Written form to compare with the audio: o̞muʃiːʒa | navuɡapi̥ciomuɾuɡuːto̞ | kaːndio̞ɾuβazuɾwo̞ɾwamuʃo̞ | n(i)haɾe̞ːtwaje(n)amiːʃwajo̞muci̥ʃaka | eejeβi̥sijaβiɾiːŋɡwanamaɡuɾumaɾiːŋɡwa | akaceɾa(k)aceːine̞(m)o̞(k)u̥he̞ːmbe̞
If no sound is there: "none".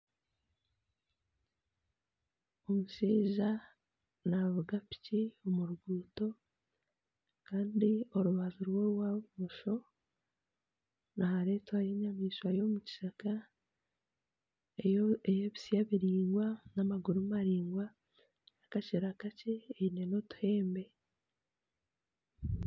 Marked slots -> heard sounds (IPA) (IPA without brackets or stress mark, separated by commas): a, ɲ, k, n, t